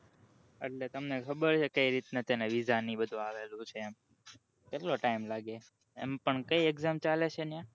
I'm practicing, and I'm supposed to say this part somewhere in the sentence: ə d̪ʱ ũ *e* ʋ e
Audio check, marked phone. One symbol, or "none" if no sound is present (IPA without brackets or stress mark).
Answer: a